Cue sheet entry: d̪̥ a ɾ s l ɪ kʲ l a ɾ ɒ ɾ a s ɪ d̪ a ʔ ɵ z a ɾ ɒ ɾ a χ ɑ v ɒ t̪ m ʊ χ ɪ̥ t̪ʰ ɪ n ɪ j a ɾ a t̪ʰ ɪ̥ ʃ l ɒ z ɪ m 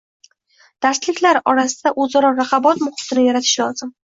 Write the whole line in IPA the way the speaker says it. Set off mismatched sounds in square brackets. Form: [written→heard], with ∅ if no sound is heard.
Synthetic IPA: d̪̥ a ɾ s l ɪ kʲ l a ɾ ɒ ɾ a s ɪ d̪ a ʔ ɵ z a ɾ ɒ ɾ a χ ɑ [v→b] ɒ t̪ m ʊ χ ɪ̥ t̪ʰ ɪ n ɪ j a ɾ a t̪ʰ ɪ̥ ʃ l ɒ z ɪ m